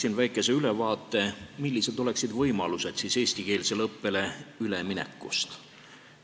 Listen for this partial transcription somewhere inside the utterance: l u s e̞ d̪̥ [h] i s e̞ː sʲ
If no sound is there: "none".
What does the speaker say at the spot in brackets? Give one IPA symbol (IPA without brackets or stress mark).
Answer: s